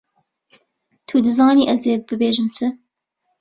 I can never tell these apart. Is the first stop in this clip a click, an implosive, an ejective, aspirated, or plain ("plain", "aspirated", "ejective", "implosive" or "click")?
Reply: aspirated